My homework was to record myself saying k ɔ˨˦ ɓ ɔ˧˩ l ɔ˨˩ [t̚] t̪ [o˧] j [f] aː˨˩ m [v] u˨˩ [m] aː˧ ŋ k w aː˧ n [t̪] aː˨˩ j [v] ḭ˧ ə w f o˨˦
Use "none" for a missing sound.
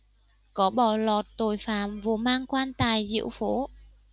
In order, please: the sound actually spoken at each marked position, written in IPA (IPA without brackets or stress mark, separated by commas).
t̚, o˨˩, f, v, m, t̪, z